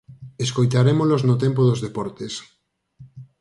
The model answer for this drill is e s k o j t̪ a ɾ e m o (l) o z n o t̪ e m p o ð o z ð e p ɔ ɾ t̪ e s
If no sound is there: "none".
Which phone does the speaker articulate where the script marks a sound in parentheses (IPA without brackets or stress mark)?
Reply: l